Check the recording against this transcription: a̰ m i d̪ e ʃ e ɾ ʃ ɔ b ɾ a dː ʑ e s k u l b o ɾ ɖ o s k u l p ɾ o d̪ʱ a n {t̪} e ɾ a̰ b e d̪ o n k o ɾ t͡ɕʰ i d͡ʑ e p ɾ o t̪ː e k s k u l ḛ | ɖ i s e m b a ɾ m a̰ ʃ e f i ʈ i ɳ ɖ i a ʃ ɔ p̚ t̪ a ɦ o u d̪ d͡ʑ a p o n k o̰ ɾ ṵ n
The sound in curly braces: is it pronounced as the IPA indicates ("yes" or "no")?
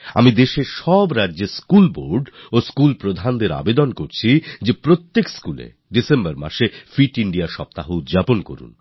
no